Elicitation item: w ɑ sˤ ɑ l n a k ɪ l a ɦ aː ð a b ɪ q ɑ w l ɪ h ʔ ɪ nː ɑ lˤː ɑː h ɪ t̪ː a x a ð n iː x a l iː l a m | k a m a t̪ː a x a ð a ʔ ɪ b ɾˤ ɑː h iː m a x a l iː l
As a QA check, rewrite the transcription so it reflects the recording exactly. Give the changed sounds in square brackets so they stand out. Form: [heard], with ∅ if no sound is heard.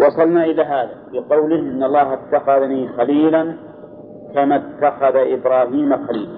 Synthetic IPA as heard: w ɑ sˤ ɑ l n a [ʔ] ɪ l a ɦ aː ð a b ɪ q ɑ w l ɪ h ʔ ɪ nː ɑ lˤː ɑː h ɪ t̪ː a x a ð n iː x a l iː l a [n] | k a m a t̪ː a x a ð a ʔ ɪ b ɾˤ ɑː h iː m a x a l iː l